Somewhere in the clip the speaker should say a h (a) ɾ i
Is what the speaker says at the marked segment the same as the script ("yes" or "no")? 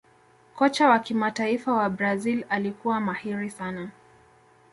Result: no